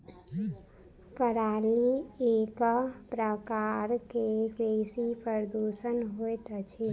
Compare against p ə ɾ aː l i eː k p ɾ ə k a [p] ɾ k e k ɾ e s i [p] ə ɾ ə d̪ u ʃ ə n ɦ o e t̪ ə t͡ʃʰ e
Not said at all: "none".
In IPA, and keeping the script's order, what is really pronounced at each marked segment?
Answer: none, p

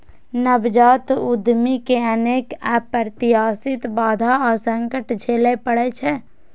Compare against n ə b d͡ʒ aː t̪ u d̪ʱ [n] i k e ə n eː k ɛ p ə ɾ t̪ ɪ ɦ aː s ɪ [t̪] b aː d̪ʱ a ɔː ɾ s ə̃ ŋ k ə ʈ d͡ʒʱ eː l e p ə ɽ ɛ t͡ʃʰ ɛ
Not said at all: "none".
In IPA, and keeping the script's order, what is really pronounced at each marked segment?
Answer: m, t̪

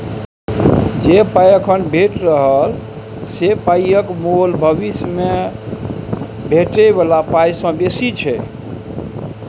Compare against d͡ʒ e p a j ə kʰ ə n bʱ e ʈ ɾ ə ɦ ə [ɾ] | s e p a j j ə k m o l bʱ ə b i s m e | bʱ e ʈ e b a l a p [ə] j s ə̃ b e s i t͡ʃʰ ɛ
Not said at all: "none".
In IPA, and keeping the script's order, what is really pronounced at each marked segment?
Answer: l, a

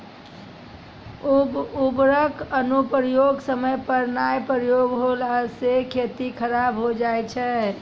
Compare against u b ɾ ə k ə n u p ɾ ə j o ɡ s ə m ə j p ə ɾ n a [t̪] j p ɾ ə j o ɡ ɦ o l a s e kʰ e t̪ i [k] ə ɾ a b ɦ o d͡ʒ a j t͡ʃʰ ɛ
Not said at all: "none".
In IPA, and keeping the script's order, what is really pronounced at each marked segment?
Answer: none, kʰ

